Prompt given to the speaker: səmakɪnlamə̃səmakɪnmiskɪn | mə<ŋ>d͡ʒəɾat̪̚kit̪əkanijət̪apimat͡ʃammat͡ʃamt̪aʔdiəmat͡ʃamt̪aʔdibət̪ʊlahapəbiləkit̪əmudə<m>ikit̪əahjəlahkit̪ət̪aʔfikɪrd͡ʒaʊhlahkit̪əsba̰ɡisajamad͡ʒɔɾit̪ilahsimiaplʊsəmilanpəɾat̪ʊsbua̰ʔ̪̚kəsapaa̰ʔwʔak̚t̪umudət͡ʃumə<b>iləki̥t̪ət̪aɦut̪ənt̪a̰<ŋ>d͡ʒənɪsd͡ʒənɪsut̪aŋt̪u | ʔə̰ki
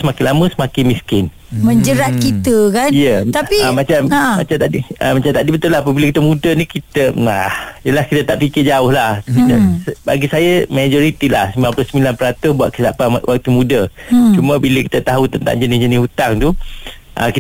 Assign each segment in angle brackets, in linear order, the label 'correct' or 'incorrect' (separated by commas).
incorrect, incorrect, correct, correct